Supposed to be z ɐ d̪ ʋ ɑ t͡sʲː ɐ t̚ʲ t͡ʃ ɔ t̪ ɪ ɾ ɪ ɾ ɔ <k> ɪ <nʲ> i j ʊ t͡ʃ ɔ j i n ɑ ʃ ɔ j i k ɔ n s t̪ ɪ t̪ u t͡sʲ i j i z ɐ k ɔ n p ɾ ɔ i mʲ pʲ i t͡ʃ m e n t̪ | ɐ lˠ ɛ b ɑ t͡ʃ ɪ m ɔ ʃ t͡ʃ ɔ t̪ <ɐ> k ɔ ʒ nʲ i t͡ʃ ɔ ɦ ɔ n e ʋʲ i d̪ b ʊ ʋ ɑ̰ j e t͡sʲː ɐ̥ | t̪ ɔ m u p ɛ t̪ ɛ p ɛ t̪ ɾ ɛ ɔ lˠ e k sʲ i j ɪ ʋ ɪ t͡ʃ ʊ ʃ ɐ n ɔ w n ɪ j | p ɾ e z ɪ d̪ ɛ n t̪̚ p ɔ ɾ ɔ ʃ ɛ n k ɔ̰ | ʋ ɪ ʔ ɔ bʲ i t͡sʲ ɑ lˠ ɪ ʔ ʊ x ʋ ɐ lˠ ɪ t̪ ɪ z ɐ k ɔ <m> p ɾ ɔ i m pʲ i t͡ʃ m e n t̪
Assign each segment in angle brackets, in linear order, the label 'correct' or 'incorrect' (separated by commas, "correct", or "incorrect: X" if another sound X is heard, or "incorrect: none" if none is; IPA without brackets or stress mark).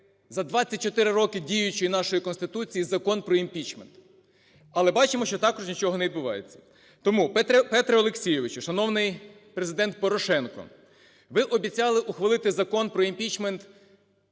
correct, incorrect: dʲ, incorrect: ɑ, incorrect: n